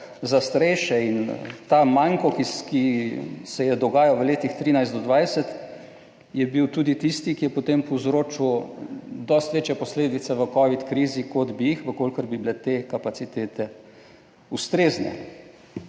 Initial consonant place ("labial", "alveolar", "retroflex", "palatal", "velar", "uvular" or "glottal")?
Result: alveolar